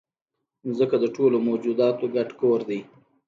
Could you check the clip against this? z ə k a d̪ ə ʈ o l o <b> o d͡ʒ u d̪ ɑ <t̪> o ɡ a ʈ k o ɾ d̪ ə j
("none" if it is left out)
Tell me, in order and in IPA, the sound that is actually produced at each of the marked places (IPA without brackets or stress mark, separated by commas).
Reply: m, t̪